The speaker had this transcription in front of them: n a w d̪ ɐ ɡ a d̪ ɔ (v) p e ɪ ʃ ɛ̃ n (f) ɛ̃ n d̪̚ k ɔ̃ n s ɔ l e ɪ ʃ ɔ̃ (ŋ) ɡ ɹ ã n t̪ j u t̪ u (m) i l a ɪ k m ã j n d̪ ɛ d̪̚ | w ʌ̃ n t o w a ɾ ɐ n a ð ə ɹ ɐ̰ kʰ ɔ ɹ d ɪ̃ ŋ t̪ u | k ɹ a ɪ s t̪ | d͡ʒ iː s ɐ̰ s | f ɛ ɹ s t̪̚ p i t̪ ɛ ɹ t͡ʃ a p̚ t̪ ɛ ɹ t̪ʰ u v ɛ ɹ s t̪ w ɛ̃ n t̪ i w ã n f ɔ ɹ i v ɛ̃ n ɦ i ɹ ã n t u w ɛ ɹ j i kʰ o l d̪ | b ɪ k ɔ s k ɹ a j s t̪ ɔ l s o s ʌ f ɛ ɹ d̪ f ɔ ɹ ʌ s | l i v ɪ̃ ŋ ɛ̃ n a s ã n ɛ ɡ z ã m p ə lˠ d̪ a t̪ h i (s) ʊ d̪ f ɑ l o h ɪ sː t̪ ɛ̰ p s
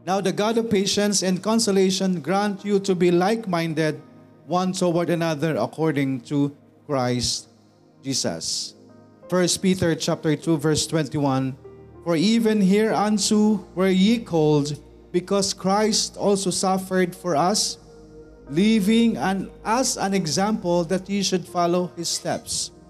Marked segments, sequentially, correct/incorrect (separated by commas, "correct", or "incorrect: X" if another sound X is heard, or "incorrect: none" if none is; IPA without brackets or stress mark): correct, incorrect: s, incorrect: n, incorrect: b, incorrect: ʃ